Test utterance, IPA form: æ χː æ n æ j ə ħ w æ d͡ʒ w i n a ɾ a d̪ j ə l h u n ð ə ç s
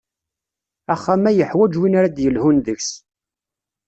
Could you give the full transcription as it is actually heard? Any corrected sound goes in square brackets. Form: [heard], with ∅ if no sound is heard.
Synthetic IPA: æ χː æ [m] æ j ə ħ w æ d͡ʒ w i n a ɾ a d̪ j ə l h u n ð ə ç s